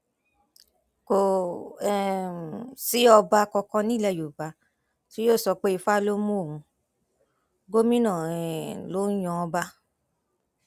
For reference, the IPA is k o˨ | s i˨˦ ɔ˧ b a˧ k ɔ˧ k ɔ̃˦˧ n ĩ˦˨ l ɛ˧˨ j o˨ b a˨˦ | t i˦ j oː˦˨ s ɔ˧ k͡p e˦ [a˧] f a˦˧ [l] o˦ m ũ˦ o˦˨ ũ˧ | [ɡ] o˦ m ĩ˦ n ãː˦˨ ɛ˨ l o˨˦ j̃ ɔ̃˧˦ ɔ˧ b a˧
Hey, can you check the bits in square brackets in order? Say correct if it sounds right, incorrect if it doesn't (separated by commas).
incorrect, correct, correct